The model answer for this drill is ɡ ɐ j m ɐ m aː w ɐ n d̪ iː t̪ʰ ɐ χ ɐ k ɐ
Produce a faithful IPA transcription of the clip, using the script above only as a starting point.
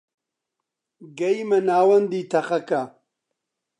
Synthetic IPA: ɡ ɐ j m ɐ n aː w ɐ n d̪ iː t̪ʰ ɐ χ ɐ k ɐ

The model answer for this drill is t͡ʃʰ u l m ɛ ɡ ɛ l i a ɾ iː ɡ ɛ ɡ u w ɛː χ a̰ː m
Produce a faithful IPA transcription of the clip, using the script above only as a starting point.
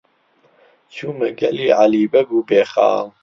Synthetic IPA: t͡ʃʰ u m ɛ ɡ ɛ l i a l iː b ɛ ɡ u b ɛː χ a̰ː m

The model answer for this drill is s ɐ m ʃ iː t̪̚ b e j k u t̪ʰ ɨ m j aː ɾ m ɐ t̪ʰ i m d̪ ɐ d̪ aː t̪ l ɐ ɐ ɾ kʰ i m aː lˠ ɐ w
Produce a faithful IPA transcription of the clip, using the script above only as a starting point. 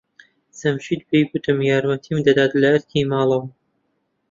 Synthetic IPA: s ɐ m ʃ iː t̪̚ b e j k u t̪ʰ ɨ m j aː ɾ m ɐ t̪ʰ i m d̪ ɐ d̪ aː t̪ l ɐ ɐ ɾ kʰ i m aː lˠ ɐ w

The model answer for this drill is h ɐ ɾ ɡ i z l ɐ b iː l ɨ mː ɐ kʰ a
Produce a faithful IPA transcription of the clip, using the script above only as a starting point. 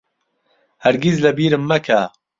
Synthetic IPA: h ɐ ɾ ɡ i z l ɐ b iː ɾ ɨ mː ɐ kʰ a

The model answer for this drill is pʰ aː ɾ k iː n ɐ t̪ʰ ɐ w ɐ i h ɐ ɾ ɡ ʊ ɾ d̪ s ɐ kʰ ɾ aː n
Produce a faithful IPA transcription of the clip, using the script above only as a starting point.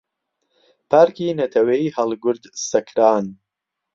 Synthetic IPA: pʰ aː ɾ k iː n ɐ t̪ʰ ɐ w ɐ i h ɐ l ɡ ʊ ɾ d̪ s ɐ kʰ ɾ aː n

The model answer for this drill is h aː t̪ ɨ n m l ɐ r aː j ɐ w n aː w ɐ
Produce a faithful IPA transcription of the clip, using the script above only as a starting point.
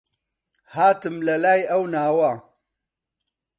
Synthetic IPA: h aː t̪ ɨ m l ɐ l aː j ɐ w n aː w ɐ

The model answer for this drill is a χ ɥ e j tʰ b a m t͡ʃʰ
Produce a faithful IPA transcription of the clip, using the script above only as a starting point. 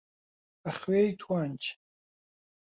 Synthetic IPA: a χ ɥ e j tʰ w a n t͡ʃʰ

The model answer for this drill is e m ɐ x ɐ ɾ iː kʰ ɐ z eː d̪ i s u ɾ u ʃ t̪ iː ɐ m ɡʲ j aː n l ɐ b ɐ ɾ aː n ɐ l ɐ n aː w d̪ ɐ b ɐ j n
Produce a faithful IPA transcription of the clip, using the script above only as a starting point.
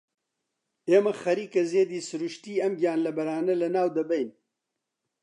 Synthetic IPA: e m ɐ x ɐ ɾ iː k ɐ z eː d̪ i s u ɾ u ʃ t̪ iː ɐ m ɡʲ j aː n l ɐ b ɐ ɾ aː n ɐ l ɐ n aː w d̪ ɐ b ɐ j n

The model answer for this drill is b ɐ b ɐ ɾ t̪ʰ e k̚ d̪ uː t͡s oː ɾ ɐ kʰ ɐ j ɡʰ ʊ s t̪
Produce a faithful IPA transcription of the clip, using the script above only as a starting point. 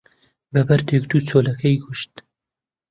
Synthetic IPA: b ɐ b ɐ ɾ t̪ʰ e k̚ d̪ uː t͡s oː l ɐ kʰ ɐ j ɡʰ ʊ ʃ t̪

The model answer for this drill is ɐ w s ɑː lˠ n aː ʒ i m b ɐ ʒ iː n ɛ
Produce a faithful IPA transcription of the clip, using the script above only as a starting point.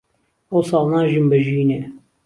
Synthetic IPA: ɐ w s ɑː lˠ n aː ʒ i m b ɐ ʒ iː n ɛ

